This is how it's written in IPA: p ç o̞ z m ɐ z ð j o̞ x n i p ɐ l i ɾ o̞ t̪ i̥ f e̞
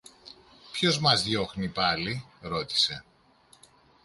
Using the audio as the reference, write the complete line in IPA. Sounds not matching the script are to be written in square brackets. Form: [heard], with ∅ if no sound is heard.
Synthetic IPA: p ç o̞ z m ɐ z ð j o̞ x n i p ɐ l i ɾ o̞ t̪ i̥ [s] e̞